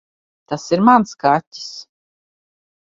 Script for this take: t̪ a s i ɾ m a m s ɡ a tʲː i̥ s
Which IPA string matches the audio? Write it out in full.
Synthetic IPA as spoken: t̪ a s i ɾ m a n s k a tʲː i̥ s

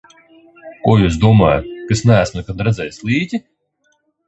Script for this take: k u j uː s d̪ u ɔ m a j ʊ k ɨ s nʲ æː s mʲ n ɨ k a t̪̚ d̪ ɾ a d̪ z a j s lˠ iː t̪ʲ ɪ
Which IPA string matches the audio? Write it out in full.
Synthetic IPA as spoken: k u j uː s d̪ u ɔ m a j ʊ k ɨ s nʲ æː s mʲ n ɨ k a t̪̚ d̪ ɾ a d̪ z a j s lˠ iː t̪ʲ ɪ

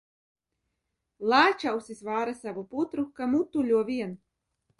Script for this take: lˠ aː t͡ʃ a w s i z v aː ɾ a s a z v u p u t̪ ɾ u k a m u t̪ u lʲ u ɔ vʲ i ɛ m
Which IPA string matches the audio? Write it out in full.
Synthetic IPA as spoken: lˠ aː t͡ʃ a w s i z v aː ɾ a s a v u p u t̪ ɾ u k a m u t̪ u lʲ u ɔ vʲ i ɛ n

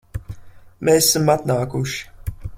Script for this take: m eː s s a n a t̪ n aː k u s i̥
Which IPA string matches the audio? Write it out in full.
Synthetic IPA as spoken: m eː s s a m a t̪ n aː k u ʃ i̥

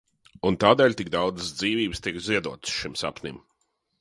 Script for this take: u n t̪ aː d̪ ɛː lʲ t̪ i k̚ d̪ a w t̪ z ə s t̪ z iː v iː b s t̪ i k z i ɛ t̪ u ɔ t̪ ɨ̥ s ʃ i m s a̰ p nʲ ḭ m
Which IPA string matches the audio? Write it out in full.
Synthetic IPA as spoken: u n t̪ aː d̪ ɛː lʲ t̪ i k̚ d̪ a w d̪ z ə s d̪ z iː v iː b s t̪ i k z i ɛ d̪ u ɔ t̪ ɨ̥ s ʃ i m s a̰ p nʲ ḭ m

